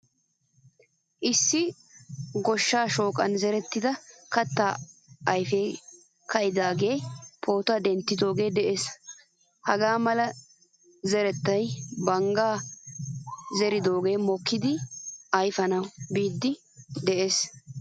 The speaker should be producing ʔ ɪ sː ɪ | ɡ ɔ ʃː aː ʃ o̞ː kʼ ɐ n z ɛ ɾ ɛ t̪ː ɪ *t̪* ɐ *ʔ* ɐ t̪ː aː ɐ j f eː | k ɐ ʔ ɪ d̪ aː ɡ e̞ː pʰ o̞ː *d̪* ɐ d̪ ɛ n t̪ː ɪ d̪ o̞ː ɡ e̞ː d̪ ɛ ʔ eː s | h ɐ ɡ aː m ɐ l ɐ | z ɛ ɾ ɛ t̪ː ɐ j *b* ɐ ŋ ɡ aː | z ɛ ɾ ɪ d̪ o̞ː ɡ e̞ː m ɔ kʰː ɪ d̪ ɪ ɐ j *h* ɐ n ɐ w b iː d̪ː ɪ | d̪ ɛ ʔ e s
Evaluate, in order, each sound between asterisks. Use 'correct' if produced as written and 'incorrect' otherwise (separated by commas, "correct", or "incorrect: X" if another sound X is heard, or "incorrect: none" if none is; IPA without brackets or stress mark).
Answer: incorrect: d̪, incorrect: k, incorrect: t̪, correct, incorrect: f